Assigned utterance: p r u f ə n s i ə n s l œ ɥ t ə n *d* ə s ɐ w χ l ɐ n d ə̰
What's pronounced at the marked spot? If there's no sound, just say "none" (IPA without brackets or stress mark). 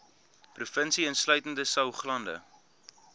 d